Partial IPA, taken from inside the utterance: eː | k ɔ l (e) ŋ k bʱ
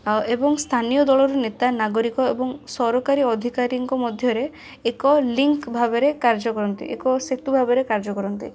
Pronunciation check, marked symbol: incorrect: i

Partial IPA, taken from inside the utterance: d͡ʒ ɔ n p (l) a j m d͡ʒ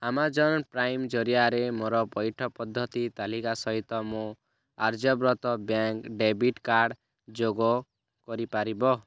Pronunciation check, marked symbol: incorrect: ɾ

